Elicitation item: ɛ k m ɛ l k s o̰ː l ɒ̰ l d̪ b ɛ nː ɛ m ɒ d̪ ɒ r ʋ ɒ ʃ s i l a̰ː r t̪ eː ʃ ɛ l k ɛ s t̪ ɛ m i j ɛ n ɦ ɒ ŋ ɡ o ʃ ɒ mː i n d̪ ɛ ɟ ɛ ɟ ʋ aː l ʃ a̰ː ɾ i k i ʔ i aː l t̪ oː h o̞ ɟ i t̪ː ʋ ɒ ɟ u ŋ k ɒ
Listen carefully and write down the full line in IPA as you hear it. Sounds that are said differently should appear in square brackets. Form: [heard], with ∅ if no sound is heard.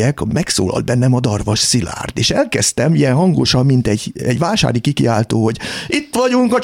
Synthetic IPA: ɛ k m ɛ [∅] k s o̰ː l ɒ̰ l d̪ b ɛ nː ɛ m ɒ d̪ ɒ r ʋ ɒ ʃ s i l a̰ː r t̪ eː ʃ ɛ l k ɛ s t̪ ɛ m i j ɛ n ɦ ɒ ŋ ɡ o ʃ ɒ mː i n [t̪] ɛ ɟ ɛ ɟ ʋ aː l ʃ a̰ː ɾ i k i [k] i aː l t̪ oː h o̞ ɟ i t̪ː ʋ ɒ ɟ u ŋ k ɒ